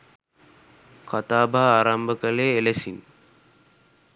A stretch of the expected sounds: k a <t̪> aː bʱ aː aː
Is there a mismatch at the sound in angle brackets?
no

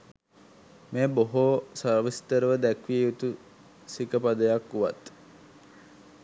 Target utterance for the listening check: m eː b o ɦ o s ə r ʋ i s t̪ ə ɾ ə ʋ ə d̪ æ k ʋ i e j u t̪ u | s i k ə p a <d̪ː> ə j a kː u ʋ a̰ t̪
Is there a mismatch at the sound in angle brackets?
yes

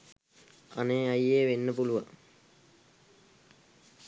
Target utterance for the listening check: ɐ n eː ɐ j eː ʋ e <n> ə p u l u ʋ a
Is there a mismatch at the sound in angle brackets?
yes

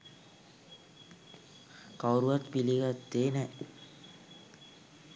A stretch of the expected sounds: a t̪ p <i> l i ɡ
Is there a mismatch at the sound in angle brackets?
no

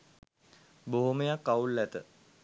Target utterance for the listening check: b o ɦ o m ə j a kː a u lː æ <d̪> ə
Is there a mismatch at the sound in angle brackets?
yes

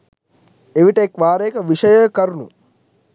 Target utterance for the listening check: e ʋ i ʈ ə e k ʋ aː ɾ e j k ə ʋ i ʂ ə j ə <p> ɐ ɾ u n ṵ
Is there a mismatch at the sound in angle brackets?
yes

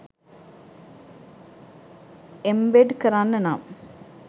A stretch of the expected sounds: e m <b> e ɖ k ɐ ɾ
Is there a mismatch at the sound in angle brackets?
no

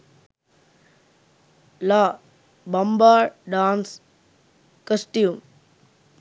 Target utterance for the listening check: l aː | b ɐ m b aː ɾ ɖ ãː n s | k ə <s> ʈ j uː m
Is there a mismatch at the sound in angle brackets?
no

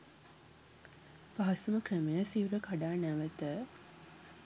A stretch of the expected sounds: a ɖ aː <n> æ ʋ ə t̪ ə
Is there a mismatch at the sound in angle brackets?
no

